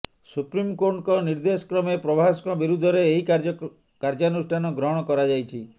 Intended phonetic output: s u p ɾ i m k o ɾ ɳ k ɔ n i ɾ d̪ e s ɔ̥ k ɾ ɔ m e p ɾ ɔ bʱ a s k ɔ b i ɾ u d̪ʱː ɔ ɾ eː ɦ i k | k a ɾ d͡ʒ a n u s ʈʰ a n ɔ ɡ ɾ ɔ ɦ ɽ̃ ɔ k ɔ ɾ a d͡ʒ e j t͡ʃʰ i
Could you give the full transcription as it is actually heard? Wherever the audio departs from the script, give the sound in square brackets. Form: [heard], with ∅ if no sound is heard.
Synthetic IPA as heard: s u p ɾ i m k o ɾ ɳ k ɔ n i ɾ d̪ e s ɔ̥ k ɾ ɔ m e p ɾ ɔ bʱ a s k ɔ b i ɾ u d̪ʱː ɔ ɾ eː ɦ i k | k a ɾ d͡ʒ a n u s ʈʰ a n ɔ ɡ ɾ ɔ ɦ ɽ̃ ɔ k ɔ ɾ a d͡ʒ [a] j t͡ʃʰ i